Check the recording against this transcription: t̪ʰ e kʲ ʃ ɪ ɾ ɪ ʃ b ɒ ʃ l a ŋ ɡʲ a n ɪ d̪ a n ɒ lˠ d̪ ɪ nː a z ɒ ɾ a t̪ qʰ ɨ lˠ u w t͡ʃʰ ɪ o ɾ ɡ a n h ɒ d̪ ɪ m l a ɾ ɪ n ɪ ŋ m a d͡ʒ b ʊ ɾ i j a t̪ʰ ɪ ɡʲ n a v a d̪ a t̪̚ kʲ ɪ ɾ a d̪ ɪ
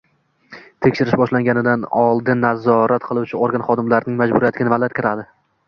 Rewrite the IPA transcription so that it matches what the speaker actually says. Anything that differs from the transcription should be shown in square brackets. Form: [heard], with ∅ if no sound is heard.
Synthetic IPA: t̪ʰ e kʲ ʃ ɪ ɾ ɪ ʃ b ɒ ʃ l a ŋ ɡʲ a n ɪ d̪ a n ɒ lˠ d̪ ɪ nː a z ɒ ɾ a t̪ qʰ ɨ lˠ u w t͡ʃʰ ɪ o ɾ ɡ a n [χ] ɒ d̪ ɪ m l a ɾ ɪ n ɪ ŋ m a d͡ʒ b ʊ ɾ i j a [t̪] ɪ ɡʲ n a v a d̪ a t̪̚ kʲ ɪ ɾ a d̪ ɪ